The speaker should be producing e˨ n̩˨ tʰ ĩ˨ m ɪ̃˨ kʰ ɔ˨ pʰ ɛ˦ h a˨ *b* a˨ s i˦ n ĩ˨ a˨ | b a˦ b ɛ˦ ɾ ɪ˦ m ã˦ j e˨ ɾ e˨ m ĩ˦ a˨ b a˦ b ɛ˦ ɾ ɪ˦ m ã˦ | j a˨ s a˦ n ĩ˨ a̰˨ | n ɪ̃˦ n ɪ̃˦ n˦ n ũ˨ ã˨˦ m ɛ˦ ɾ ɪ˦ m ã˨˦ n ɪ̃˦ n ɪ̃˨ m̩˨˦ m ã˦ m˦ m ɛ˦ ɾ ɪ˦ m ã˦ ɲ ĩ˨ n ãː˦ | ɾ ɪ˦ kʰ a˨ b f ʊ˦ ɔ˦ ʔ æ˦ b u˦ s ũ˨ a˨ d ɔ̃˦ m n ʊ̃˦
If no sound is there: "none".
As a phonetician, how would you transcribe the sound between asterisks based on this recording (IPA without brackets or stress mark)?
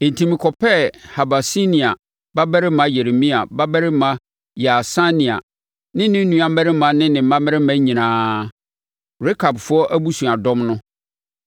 b